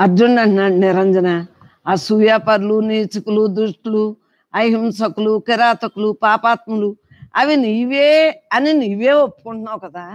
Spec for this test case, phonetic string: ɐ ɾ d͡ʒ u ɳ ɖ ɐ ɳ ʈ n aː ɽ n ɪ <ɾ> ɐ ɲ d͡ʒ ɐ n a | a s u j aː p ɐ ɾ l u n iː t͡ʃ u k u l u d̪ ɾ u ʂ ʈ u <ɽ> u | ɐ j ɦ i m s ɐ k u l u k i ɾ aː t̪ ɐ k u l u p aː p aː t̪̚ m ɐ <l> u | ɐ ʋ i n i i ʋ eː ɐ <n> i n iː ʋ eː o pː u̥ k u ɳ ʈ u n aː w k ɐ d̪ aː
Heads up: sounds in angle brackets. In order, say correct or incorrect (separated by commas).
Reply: correct, incorrect, correct, correct